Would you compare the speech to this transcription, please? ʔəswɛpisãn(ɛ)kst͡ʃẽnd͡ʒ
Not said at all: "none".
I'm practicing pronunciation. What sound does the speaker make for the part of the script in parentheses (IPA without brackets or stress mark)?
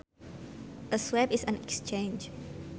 ɛ